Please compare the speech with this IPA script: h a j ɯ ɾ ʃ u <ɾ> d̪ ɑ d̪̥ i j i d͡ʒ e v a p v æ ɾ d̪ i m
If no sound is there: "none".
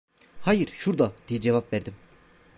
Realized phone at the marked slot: ɾ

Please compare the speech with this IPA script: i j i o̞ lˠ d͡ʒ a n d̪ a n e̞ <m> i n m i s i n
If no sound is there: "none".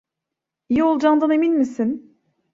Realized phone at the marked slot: m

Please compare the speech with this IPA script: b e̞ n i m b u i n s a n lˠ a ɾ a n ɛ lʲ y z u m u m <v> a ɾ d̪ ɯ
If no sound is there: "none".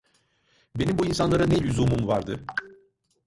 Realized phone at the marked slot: v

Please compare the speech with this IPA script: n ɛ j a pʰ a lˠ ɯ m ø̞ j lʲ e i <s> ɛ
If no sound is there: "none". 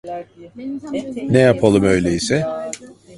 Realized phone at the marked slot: s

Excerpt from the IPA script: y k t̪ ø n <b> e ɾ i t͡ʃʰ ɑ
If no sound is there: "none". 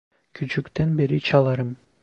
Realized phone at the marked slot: b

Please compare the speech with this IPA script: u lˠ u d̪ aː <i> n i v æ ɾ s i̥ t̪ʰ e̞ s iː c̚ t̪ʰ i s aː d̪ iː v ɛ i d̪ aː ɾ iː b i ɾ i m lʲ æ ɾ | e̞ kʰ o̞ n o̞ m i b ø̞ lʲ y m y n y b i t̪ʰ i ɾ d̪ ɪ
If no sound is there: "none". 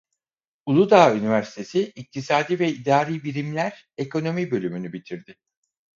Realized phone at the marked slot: y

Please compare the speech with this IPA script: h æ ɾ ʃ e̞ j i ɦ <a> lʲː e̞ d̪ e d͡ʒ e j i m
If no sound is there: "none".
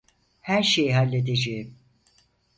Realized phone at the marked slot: a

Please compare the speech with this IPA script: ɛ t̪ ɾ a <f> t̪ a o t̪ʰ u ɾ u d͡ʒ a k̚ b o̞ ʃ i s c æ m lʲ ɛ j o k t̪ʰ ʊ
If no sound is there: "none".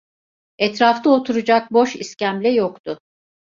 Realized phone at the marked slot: f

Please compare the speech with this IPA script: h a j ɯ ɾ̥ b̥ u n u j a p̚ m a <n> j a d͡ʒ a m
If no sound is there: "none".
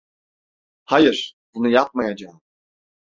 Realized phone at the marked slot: none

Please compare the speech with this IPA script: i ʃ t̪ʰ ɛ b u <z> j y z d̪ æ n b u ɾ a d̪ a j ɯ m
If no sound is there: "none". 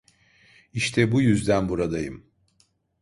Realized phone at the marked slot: none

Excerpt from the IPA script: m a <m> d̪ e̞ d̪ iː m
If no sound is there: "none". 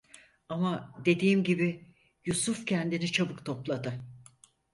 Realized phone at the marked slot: none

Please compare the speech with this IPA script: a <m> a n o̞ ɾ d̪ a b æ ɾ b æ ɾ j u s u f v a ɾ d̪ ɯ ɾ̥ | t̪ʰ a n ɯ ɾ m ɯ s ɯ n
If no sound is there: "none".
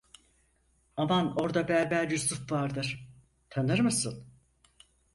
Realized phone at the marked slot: m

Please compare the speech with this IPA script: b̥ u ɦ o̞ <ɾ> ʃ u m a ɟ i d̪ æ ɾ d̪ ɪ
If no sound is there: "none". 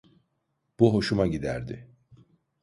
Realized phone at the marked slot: none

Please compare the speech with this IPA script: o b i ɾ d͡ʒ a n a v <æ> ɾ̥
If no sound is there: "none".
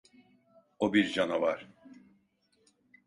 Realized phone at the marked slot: a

